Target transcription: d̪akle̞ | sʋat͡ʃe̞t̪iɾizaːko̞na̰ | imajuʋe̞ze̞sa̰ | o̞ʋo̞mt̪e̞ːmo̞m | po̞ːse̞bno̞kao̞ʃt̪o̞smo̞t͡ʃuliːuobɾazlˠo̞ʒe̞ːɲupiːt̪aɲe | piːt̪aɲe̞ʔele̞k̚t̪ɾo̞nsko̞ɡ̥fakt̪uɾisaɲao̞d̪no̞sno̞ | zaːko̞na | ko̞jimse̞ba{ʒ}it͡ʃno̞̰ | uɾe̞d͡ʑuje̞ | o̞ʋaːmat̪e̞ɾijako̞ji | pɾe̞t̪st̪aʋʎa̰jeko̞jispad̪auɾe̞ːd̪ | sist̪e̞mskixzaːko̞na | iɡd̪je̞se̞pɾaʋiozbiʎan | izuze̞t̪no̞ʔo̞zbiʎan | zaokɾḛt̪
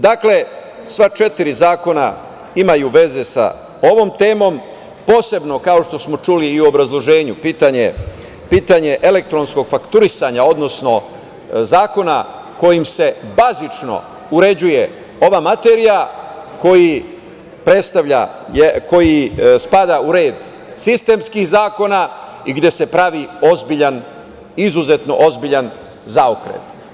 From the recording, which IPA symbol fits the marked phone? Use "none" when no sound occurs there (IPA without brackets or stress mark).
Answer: z